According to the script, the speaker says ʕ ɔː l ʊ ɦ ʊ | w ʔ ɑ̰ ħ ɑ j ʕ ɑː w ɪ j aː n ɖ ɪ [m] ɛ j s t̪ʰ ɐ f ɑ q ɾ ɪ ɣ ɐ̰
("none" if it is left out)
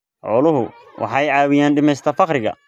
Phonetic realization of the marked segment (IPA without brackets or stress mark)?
m